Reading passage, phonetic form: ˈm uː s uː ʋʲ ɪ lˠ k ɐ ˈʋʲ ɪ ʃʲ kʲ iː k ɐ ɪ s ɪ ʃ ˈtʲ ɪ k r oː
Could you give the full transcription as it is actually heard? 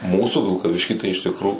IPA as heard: ˈm uː s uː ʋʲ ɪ lˠ k ɐ ˈʋʲ ɪ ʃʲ kʲ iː t ɐ ɪ ɪ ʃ ˈtʲ ɪ k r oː